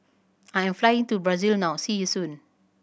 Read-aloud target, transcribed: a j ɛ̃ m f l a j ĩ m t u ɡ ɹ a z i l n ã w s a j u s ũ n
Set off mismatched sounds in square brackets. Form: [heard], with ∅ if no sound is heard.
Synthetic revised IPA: a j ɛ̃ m f l a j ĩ [ŋ] t u [b] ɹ a z i l n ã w s [i] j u s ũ n